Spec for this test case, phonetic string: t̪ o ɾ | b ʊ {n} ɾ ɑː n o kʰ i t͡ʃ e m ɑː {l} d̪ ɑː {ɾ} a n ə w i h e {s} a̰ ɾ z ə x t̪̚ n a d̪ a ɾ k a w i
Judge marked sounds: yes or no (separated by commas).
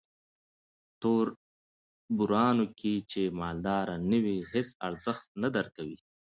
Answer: no, yes, yes, yes